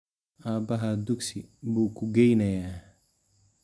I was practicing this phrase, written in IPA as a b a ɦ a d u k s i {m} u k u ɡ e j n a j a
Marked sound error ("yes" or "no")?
yes